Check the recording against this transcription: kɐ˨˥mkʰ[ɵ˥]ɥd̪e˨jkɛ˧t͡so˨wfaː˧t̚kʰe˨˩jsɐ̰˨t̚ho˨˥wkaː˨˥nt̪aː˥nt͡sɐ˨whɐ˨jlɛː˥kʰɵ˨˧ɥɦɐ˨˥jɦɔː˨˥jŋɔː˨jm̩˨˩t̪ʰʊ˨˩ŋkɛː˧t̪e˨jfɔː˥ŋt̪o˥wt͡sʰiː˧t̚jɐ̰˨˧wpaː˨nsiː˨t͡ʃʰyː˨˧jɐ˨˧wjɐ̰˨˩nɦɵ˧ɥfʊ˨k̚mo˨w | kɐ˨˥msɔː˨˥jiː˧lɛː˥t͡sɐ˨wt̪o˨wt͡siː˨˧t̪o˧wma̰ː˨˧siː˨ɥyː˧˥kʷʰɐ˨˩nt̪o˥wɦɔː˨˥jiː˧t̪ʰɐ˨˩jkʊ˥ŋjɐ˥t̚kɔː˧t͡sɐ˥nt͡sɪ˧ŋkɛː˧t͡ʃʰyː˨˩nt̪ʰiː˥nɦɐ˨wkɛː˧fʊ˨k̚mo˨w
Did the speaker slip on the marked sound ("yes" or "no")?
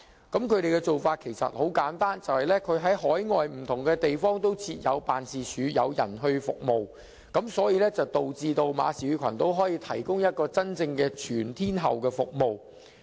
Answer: yes